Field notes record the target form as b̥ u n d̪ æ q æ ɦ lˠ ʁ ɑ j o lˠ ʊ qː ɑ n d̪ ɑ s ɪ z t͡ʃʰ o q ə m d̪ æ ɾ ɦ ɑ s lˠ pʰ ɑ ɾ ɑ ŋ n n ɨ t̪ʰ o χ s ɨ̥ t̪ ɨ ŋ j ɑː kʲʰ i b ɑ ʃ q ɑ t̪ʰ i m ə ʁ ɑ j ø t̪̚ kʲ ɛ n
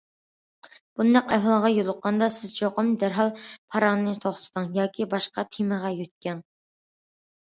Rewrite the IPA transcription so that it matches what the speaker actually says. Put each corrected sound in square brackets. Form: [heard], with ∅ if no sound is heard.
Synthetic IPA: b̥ u n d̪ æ q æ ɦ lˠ ʁ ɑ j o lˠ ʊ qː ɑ n d̪ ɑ s ɪ z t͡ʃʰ o q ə m d̪ æ ɾ ɦ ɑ [∅] lˠ pʰ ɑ ɾ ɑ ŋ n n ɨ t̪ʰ o χ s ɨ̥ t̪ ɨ ŋ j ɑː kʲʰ i b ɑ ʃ q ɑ t̪ʰ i m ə ʁ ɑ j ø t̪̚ kʲ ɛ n